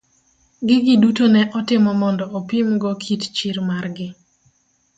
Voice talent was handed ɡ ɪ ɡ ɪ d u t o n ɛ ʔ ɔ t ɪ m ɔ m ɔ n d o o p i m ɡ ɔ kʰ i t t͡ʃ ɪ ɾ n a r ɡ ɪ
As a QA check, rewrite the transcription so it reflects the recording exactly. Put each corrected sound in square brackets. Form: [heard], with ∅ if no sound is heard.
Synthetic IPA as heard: ɡ ɪ ɡ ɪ d u t o n ɛ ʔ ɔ t ɪ m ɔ m ɔ n d [ɔ] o p i m ɡ ɔ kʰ i t t͡ʃ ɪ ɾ [m] a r ɡ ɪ